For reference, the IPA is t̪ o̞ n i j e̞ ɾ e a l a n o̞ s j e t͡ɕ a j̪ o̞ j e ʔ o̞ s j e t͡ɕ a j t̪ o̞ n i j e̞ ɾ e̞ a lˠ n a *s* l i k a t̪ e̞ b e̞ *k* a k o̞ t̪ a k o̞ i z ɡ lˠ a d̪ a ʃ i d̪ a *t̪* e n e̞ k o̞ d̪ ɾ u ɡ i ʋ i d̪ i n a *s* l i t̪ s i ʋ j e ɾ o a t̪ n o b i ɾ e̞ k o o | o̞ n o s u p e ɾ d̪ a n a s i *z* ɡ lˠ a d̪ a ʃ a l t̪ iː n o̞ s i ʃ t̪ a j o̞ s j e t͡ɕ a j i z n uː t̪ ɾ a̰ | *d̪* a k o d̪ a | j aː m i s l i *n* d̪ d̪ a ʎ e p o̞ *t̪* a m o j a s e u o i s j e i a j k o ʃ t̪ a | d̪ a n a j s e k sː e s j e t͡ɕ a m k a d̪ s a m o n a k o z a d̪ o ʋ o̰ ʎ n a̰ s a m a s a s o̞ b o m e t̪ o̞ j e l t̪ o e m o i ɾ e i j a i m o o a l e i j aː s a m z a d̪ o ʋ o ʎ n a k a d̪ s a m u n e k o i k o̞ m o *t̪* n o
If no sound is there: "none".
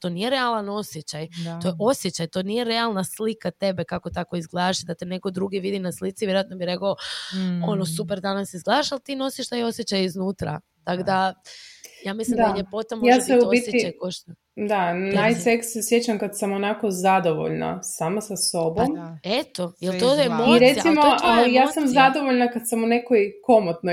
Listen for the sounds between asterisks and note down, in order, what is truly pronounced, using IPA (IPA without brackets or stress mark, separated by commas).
s, k, t̪, s, z, t̪, m, t̪, t̪